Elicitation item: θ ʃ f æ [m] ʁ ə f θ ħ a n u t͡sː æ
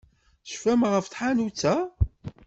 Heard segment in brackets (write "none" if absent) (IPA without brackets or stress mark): m